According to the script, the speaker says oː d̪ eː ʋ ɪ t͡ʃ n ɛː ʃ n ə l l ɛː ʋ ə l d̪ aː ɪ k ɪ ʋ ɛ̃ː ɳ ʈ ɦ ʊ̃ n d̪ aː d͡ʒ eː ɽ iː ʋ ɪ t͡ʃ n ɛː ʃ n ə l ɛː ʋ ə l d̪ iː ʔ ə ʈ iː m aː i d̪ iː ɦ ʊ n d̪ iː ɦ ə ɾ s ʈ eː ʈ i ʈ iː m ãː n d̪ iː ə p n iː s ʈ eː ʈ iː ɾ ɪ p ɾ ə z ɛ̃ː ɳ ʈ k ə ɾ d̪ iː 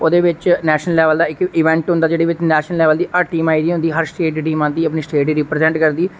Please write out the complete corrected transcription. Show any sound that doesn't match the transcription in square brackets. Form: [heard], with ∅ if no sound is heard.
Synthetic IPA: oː d̪ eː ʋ ɪ t͡ʃ n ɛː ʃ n ə l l ɛː ʋ ə l d̪ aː ɪ k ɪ ʋ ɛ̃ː ɳ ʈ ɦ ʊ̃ n d̪ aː d͡ʒ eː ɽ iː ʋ ɪ t͡ʃ n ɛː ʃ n ə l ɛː ʋ ə l d̪ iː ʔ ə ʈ iː m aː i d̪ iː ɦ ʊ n d̪ iː ɦ ə ɾ s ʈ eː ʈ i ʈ iː m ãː n d̪ iː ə p n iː s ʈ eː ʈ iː ɾ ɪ p ɾ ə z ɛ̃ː ɳ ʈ k ə ɾ d̪ iː